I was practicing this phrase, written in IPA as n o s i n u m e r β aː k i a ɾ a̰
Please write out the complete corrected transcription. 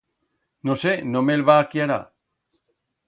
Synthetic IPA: n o s e n o m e l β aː k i a ɾ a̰